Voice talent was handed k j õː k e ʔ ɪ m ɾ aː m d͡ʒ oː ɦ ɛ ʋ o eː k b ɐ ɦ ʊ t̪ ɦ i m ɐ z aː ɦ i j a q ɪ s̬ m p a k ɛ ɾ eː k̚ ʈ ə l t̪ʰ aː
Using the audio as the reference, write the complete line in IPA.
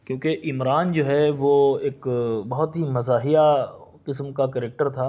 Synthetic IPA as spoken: k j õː k e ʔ ɪ m ɾ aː n d͡ʒ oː ɦ ɛ ʋ o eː k b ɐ ɦ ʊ t̪ ɦ i m ɐ z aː ɦ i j a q ɪ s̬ m k a k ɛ ɾ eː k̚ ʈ ə ɾ t̪ʰ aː